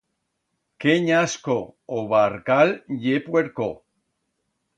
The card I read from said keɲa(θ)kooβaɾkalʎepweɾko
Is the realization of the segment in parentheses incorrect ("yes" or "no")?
yes